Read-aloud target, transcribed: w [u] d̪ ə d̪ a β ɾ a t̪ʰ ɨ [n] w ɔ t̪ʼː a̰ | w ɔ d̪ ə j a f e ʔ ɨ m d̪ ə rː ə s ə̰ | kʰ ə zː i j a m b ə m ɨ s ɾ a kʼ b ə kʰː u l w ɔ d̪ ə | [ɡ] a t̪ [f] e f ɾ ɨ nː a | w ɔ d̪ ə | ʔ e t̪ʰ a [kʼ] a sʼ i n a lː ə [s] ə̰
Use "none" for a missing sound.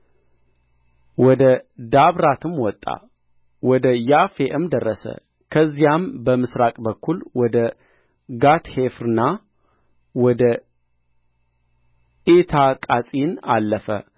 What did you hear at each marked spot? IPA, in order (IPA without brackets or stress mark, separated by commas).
ɔ, m, ɡ, h, kʼ, f